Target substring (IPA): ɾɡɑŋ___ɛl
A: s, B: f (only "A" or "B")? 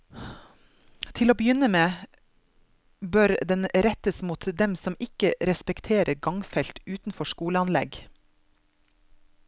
B